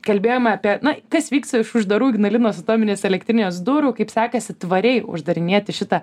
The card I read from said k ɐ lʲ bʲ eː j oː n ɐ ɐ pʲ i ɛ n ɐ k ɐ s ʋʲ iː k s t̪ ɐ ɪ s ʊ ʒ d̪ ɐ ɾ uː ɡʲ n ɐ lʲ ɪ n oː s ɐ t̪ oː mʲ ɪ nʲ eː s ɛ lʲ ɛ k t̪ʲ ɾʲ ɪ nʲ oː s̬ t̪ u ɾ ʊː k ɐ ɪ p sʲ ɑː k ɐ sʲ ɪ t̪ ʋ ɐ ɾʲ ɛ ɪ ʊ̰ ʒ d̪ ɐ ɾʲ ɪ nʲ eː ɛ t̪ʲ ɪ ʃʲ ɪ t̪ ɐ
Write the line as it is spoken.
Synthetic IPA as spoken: k ɐ lʲ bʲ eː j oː m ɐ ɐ pʲ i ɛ n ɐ k ɐ s ʋʲ iː k s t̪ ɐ ɪ ʃ ʊ ʒ d̪ ɐ ɾ uː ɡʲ n ɐ lʲ ɪ n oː s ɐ t̪ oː mʲ ɪ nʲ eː s ɛ lʲ ɛ k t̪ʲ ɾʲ ɪ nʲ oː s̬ d̪ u ɾ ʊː k ɐ ɪ p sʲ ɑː k ɐ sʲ ɪ t̪ ʋ ɐ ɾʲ ɛ ɪ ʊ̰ ʒ d̪ ɐ ɾʲ ɪ nʲ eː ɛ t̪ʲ ɪ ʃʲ ɪ t̪ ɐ